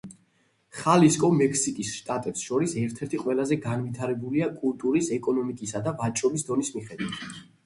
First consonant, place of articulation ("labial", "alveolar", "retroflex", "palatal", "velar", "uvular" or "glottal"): uvular